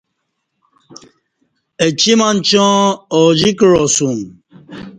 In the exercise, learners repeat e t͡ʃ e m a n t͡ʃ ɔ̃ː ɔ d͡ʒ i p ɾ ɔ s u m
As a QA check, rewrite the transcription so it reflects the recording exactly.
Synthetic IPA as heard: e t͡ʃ i m a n t͡ʃ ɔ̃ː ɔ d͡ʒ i k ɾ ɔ s u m